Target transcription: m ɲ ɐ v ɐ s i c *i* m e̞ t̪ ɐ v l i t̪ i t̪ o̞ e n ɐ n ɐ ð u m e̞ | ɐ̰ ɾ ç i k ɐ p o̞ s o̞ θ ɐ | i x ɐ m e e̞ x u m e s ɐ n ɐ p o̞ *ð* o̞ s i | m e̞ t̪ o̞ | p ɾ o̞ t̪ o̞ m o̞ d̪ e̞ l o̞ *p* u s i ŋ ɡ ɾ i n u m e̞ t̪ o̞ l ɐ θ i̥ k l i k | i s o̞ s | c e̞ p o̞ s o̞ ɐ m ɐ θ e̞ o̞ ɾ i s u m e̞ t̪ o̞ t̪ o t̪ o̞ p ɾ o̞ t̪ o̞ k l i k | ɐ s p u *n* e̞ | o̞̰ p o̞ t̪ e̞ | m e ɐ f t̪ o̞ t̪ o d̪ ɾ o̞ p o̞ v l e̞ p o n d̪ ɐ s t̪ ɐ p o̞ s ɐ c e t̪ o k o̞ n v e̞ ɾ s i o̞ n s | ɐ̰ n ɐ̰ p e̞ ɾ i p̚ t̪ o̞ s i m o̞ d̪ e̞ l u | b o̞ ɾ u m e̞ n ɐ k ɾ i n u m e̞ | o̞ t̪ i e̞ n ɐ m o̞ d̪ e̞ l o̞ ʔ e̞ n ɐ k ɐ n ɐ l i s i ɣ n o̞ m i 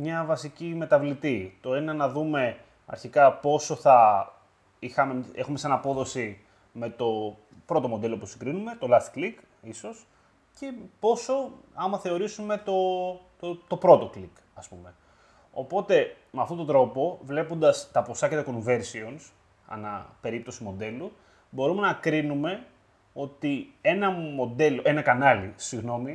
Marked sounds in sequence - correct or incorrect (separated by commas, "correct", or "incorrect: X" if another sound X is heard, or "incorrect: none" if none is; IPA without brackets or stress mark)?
correct, correct, correct, incorrect: m